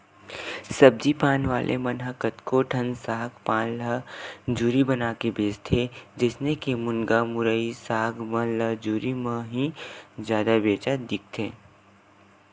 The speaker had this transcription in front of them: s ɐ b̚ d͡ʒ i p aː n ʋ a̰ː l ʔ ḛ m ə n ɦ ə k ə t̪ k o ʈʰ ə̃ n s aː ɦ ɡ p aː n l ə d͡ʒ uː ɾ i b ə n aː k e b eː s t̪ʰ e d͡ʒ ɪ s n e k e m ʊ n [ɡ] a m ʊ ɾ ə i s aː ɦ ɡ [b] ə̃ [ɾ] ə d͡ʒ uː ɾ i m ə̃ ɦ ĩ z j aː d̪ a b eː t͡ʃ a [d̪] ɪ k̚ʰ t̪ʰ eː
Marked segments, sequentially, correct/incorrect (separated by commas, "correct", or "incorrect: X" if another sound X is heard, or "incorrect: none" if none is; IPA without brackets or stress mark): correct, incorrect: m, incorrect: l, correct